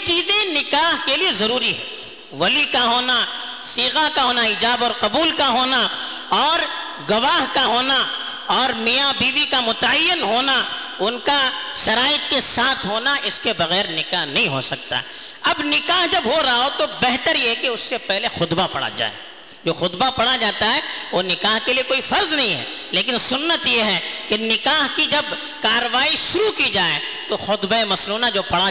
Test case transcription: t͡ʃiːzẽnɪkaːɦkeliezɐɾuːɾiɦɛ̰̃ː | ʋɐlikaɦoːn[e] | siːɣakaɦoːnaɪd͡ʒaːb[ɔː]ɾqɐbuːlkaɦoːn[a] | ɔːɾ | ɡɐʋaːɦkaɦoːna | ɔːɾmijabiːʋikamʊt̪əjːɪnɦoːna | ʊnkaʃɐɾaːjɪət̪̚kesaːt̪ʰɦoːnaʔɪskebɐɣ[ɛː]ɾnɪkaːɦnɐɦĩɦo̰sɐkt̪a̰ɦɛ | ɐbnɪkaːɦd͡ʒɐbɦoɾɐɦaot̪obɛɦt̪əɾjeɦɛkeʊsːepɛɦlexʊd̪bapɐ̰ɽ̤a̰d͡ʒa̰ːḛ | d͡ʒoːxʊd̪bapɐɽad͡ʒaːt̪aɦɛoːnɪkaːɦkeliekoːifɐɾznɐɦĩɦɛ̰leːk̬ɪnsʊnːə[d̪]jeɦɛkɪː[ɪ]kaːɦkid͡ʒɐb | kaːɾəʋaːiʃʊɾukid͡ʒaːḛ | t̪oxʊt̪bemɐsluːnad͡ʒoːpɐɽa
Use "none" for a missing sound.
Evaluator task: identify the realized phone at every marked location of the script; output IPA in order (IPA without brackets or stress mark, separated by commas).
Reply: a, ɔː, a, ɛː, t̪, ɪ